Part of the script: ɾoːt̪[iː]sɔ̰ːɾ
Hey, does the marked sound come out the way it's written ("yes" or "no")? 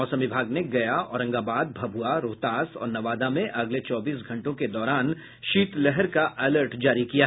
no